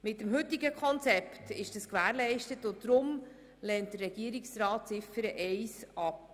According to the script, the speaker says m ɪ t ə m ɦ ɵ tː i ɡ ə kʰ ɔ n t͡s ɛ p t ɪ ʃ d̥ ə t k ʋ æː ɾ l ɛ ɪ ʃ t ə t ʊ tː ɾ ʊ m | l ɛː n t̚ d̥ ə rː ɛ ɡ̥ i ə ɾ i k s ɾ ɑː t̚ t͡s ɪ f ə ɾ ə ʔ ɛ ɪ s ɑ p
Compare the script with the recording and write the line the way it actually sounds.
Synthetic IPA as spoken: m ɪ t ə m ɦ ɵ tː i ɡ ə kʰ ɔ n t͡s ɛ p t ɪ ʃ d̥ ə s k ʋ æː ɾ l ɛ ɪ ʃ t ə t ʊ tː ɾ ʊ m | l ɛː n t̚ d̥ ə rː ɛ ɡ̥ i ə ɾ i k s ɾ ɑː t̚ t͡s ɪ f ə ɾ ə ʔ ɛ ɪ s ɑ p